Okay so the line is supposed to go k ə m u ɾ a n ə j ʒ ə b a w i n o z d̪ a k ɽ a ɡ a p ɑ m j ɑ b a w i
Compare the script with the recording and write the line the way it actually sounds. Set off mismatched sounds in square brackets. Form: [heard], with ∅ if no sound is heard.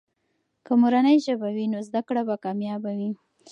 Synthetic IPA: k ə m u ɾ a n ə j ʒ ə b a w i n o z d̪ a k ɽ a [b] a [k] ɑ m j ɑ b a w i